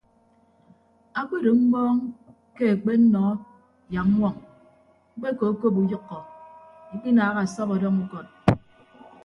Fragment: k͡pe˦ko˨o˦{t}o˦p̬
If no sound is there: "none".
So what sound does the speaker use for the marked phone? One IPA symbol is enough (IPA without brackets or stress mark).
k